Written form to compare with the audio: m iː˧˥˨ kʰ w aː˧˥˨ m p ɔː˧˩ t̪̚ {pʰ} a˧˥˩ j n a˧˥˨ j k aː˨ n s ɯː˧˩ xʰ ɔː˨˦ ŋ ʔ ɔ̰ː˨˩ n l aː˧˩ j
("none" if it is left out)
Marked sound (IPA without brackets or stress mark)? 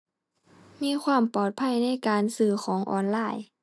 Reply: pʰ